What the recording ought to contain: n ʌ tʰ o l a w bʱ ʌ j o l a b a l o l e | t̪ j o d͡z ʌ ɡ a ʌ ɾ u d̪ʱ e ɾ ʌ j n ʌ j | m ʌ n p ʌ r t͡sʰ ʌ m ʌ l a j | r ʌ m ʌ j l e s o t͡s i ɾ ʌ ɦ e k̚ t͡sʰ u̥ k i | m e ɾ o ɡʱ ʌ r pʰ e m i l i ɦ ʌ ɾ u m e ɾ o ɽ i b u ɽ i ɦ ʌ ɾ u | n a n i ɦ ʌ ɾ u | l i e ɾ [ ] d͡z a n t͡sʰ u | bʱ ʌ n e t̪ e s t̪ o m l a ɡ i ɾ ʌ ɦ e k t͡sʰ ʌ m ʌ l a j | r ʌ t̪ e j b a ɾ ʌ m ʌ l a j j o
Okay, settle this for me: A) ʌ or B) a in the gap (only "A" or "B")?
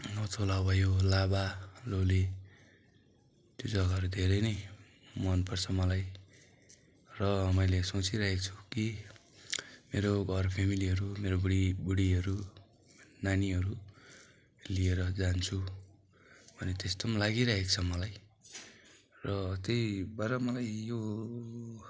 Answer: A